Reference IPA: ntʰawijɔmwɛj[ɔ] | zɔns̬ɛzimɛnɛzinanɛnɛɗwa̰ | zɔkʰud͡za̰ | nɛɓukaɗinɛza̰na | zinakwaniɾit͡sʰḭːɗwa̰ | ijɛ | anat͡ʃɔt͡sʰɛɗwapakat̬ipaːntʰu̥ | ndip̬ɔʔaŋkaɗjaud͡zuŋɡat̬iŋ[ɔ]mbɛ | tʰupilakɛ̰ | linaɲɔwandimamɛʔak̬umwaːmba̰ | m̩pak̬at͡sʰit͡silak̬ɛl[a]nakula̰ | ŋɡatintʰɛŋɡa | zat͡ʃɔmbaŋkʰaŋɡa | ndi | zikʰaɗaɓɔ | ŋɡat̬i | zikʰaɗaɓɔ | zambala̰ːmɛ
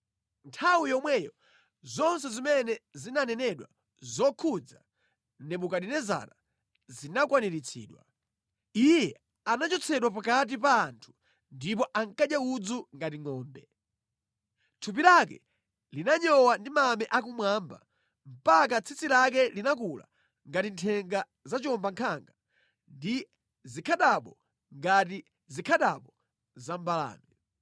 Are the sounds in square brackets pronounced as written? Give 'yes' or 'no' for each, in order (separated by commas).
yes, no, no